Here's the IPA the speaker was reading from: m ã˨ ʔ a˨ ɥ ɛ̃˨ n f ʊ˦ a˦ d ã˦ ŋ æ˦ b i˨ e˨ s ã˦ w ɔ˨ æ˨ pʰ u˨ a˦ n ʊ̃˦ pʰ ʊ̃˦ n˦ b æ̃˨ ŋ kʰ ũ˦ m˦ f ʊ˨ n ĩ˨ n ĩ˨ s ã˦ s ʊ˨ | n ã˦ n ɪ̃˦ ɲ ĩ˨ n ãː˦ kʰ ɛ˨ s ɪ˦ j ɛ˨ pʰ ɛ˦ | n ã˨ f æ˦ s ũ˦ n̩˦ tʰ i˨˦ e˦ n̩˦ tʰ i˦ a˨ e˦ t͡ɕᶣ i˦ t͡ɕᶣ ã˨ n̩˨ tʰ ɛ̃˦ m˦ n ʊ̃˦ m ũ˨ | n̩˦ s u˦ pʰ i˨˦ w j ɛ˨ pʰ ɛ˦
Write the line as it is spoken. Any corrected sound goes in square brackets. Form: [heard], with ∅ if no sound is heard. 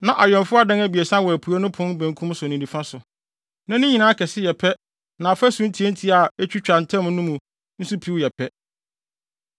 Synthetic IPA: [n] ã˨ ʔ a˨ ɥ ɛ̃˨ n f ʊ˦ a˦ d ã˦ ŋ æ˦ b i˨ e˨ s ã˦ w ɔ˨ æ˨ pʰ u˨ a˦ n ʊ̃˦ pʰ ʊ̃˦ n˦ b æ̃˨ ŋ kʰ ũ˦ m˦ [s] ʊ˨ n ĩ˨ n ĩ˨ [f] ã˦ s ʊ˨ | n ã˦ n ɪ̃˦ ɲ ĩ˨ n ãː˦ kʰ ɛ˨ s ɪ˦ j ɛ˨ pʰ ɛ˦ | n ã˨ f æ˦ s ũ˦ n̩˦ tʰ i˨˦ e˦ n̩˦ tʰ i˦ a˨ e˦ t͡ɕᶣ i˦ t͡ɕᶣ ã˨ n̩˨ tʰ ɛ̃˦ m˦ n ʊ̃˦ m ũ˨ | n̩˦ s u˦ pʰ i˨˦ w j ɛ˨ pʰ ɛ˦